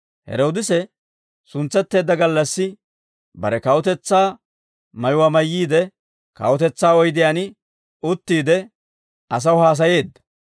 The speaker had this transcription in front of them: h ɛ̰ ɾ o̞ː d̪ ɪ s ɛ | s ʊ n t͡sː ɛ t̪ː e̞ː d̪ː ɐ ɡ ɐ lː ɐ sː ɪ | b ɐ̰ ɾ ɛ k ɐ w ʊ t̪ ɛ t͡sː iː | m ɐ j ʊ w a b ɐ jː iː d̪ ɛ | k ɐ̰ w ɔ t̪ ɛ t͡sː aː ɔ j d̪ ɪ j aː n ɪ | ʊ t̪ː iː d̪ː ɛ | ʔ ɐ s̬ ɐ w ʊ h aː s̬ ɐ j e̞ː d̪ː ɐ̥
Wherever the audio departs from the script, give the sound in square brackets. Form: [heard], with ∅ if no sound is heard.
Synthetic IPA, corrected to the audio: h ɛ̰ ɾ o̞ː d̪ ɪ s ɛ | s ʊ n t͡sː ɛ t̪ː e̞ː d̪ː ɐ ɡ ɐ lː ɐ sː ɪ | b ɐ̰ ɾ ɛ k ɐ w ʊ t̪ ɛ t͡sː [aː] | m ɐ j ʊ w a [m] ɐ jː iː d̪ ɛ | k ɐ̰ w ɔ t̪ ɛ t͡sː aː ɔ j d̪ ɪ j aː n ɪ | ʊ t̪ː iː [d̪] ɛ | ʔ ɐ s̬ ɐ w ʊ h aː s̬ ɐ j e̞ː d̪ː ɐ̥